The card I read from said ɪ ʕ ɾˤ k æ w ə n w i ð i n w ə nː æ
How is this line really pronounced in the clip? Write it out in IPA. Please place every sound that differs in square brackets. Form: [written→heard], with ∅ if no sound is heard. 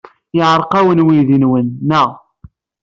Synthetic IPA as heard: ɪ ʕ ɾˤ [k→q] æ w ə n w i ð i n w ə nː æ